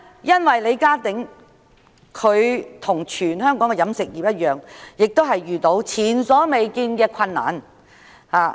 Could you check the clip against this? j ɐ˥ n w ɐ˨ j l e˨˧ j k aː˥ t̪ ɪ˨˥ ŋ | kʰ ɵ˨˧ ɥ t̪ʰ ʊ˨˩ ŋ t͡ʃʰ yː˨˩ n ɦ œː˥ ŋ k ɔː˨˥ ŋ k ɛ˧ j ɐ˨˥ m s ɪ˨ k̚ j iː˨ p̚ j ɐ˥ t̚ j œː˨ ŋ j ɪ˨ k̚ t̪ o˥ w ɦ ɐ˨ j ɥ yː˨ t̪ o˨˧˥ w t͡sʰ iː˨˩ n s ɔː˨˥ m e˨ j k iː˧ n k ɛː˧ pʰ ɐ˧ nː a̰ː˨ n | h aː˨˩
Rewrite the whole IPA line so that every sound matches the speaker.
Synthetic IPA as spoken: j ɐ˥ n w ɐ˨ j l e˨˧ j k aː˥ t̪ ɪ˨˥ ŋ | kʰ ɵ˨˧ ɥ t̪ʰ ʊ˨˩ ŋ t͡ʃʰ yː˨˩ n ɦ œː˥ ŋ k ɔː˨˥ ŋ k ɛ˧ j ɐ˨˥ m s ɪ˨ k̚ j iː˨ p̚ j ɐ˥ t̚ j œː˨ ŋ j ɪ˨ k̚ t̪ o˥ w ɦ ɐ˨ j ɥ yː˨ t̪ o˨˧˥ w t͡sʰ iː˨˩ n s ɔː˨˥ m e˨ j k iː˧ n k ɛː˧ kʰ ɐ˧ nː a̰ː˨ n | h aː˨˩